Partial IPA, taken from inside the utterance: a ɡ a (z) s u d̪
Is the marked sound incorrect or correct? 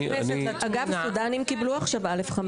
incorrect